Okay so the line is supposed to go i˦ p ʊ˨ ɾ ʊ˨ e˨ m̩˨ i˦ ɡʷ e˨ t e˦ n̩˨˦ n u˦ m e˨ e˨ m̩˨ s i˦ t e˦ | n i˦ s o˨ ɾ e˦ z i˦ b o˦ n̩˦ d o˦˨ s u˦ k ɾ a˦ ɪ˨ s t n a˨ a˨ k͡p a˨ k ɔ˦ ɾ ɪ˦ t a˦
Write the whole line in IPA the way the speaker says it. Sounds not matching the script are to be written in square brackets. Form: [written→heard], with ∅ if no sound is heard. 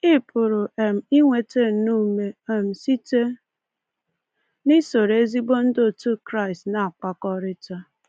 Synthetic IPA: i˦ p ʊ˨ ɾ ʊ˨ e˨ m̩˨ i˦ [ɡʷ→ŋʷ] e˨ t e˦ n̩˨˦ n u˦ m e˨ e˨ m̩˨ s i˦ t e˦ | n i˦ s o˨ ɾ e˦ z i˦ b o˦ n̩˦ d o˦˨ [s→t] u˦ k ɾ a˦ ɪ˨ s t n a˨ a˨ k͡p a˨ k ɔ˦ ɾ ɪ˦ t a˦